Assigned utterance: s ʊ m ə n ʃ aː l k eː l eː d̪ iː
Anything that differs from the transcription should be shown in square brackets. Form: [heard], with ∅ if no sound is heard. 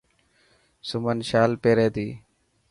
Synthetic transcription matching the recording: s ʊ m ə n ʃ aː l [p] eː [ɾ] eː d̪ iː